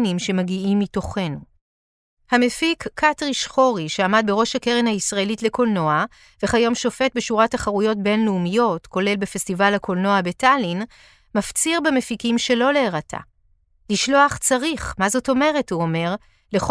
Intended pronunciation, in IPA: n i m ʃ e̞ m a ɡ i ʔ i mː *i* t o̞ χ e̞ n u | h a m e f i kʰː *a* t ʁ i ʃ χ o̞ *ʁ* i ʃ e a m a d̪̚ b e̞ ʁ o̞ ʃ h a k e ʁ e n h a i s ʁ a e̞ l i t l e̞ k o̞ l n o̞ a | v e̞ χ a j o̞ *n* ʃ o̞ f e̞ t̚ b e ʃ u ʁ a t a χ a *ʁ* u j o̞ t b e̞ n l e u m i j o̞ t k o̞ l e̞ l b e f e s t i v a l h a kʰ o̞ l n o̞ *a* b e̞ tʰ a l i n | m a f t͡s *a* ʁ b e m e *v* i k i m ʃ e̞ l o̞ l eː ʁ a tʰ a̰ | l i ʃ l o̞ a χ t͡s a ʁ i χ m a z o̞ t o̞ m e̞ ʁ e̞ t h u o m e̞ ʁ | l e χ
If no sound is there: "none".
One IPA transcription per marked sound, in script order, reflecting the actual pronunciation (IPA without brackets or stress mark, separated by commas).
i, a, ʁ, m, ʁ, a, i, f